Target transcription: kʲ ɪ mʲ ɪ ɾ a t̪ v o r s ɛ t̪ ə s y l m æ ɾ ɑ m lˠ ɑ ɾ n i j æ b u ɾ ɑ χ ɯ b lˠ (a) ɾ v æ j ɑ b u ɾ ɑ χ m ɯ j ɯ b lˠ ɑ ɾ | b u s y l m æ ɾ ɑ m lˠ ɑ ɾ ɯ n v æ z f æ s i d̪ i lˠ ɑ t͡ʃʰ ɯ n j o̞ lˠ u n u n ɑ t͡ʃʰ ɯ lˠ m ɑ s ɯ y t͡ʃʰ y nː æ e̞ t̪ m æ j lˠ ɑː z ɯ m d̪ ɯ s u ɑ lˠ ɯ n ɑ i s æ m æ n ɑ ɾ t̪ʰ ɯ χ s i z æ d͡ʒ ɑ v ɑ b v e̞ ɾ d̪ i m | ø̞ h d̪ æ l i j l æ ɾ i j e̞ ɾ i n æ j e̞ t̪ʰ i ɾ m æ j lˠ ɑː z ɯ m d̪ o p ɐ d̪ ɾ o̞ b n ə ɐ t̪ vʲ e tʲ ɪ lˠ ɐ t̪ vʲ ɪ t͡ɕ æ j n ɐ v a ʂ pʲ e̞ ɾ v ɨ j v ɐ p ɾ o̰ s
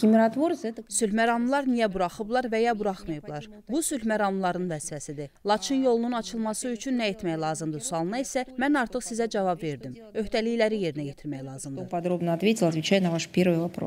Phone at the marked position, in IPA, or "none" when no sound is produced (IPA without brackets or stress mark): ɑ